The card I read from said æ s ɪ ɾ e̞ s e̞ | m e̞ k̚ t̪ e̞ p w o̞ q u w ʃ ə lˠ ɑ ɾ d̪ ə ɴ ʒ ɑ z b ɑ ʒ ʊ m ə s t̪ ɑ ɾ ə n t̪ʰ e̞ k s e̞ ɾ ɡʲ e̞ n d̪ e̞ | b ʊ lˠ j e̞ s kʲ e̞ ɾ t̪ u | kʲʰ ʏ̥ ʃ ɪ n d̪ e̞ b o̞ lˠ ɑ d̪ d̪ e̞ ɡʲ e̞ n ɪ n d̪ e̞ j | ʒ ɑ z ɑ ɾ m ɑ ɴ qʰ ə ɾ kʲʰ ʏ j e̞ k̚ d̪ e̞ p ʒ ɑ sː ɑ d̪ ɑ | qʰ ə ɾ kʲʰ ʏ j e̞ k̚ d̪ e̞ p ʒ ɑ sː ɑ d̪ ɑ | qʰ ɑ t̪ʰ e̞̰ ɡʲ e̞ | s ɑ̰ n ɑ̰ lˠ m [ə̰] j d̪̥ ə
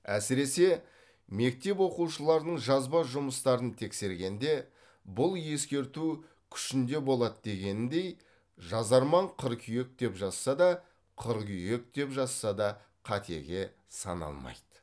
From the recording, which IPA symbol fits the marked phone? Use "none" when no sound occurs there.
ɑ̰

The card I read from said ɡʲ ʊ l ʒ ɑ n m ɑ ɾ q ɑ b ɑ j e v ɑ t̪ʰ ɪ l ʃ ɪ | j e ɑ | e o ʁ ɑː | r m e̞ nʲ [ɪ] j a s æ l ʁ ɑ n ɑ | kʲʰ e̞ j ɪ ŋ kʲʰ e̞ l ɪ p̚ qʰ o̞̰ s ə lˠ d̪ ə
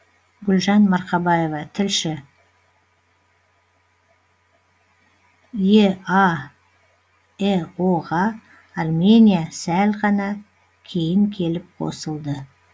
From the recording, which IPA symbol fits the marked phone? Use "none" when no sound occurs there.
i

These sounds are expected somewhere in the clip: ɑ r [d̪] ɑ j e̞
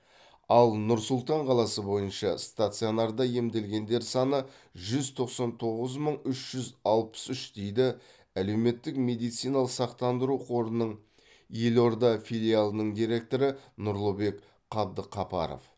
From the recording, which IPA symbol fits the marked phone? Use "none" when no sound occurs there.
d̪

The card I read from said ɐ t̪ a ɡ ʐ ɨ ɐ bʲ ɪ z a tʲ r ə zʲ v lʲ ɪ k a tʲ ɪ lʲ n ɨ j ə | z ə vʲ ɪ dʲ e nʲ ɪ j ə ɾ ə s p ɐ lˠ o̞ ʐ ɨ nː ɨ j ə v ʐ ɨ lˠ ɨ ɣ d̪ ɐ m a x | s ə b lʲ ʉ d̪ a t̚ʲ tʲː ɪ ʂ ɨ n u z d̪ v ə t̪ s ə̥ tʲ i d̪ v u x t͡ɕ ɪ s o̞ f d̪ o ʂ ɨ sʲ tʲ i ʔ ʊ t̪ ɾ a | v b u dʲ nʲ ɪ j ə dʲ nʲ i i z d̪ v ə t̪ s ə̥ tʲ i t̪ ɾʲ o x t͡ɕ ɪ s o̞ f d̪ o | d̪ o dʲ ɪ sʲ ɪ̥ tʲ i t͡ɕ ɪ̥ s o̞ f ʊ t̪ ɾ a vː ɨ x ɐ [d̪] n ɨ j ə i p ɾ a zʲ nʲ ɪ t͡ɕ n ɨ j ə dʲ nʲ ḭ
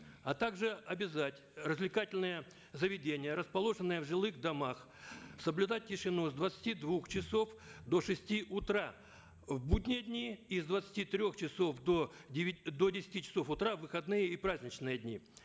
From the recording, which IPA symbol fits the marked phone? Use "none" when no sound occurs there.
d̪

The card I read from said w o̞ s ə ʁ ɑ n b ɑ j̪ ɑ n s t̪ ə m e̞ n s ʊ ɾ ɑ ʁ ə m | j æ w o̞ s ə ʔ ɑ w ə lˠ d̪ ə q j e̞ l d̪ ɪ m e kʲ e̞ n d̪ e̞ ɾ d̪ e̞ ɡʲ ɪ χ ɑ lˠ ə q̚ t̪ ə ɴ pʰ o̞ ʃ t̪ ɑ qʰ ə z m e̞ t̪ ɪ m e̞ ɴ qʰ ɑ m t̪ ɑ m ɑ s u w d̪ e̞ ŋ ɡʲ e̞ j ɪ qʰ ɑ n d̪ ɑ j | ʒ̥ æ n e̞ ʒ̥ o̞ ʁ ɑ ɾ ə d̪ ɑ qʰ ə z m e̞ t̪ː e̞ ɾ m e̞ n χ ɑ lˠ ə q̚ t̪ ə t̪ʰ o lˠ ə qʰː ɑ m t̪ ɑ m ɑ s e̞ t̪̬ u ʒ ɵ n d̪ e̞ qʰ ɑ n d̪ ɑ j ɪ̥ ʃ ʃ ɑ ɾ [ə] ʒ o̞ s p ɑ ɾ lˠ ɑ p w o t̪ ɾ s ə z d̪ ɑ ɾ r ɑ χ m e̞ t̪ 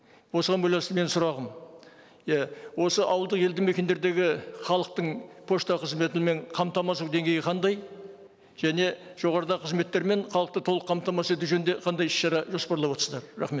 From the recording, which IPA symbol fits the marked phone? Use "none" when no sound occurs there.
ɑ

